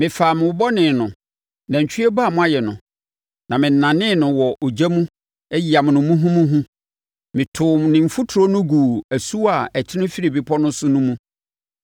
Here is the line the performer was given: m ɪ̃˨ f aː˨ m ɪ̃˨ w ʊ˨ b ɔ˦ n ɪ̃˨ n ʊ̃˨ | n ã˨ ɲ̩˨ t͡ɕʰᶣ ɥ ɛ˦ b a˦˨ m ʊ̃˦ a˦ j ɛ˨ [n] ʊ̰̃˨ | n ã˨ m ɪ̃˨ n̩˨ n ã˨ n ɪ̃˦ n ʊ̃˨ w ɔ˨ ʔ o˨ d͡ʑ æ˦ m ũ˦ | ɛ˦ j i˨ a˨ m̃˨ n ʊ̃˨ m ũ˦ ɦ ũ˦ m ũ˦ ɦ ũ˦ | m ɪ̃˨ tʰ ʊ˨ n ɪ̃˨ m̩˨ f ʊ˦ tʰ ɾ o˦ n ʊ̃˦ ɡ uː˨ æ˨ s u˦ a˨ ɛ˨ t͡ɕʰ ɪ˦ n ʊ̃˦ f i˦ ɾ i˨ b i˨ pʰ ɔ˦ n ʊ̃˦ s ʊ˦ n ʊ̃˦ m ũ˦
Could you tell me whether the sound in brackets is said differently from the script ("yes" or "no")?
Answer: no